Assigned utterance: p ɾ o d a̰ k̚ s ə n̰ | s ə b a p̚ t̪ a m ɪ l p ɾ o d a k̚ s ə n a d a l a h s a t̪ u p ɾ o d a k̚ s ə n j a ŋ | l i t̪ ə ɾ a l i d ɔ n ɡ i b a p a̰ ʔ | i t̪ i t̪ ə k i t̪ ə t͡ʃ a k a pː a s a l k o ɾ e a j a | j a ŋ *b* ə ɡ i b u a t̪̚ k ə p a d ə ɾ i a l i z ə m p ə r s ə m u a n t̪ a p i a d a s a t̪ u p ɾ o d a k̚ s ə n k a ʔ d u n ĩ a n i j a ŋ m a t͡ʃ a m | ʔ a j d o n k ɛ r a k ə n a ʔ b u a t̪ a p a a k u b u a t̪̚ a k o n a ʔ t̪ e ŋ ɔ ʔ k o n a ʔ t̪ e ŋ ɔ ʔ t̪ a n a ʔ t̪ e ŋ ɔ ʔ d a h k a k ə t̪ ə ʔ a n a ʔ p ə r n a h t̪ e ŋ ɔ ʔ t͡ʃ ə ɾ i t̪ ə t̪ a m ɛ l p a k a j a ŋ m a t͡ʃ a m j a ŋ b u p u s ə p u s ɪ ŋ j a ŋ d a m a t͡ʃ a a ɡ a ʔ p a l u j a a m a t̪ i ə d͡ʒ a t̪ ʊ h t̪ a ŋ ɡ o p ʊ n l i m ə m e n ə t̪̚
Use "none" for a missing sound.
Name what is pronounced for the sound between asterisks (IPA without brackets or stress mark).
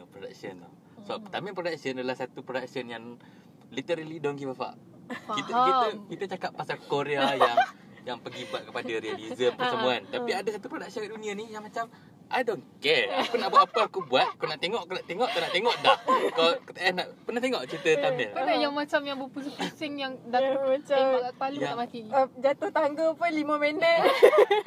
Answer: p